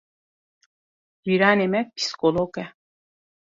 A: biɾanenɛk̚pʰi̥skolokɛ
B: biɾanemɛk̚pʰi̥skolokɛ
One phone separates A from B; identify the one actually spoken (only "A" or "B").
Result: B